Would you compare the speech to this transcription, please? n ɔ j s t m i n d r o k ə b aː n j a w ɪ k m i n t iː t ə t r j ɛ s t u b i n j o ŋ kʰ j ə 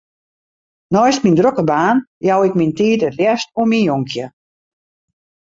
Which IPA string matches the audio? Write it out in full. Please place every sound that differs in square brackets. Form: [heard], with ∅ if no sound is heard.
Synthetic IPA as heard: n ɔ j s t m i n d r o k ə b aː n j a w ɪ k m i n t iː t ə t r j ɛ s t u [m] i n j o ŋ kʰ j ə